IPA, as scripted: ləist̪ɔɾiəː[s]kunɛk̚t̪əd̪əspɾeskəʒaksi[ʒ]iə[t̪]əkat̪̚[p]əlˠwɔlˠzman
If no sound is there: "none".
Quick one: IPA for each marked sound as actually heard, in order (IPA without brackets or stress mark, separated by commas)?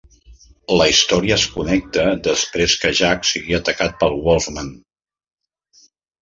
s, ɣ, t̪, p